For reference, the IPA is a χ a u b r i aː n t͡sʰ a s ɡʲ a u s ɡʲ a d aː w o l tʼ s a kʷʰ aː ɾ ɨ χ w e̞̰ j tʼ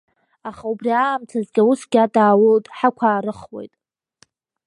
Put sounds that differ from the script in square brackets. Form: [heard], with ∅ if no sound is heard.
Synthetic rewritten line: a χ a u b r i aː [m] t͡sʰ a [z] ɡʲ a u s ɡʲ a d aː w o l tʼ [ħ] a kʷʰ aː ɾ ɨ χ w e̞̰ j tʼ